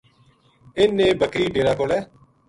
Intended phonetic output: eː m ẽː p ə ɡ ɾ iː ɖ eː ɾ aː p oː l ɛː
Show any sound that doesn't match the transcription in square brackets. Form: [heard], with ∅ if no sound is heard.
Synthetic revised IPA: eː [n] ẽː [b] ə [k] ɾ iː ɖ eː ɾ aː [k] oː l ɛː